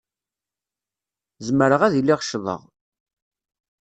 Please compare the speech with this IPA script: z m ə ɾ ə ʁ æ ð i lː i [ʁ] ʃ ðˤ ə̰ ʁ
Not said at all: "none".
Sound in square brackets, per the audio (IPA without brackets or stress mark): ʁ